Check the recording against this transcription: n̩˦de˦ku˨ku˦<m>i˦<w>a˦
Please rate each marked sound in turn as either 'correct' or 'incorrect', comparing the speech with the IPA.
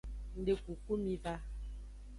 correct, incorrect: v

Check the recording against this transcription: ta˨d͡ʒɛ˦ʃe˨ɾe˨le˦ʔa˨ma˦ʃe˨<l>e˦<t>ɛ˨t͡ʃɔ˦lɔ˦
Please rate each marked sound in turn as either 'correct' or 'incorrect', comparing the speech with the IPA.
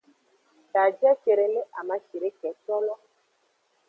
incorrect: ɾ, incorrect: k

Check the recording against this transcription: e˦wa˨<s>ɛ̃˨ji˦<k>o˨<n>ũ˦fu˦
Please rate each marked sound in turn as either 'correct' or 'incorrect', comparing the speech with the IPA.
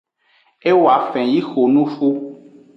incorrect: f, incorrect: x, correct

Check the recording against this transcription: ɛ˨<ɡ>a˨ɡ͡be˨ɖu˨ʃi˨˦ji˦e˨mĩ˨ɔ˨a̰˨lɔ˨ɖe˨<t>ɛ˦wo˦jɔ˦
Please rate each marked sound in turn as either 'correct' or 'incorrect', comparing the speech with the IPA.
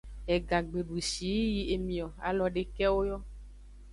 correct, incorrect: k

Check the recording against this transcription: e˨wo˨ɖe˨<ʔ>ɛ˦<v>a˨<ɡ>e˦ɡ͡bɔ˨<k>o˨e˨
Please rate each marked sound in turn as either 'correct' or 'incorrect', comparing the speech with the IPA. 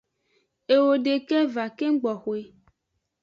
incorrect: k, correct, incorrect: k, incorrect: x

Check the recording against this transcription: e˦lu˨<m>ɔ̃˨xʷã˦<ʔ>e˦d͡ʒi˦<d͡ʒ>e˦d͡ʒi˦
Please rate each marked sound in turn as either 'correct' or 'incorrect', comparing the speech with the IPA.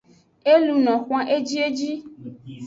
incorrect: n, correct, incorrect: none

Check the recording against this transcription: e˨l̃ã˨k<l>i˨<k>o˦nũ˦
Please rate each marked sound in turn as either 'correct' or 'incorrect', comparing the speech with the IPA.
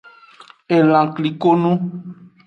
correct, correct

